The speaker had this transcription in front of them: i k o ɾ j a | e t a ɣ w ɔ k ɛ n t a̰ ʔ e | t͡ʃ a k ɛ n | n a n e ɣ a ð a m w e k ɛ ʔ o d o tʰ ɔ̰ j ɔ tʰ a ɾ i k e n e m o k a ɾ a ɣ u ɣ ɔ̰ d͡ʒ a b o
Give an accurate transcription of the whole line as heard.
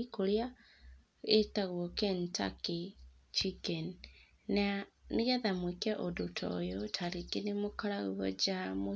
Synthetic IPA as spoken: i k o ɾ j a | e t a ɣ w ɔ k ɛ n t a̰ k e | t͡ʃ i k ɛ n | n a n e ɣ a ð a m w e k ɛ ʔ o d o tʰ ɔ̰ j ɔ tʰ a ɾ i k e n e m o k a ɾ a ɣ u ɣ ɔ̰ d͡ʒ a m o